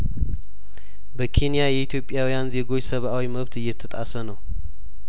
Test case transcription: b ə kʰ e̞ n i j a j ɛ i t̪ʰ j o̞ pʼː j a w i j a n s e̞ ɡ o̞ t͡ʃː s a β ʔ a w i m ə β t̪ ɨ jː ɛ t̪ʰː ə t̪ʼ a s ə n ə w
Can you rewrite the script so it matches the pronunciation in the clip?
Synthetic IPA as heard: b ə kʰ e̞ n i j a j ɛ i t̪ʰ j o̞ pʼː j a w i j a n z e̞ ɡ o̞ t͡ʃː s ə β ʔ a w i m ə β t̪ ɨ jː ɛ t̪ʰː ə t̪ʼ a s ə n ə w